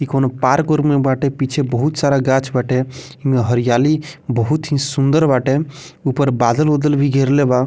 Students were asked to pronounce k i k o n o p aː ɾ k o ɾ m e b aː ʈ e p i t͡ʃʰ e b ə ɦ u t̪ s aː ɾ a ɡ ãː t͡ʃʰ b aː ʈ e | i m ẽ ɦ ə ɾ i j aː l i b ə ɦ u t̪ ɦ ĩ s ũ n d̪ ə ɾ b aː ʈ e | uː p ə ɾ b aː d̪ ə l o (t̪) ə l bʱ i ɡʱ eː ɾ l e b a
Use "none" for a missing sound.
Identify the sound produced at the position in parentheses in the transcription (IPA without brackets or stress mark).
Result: d̪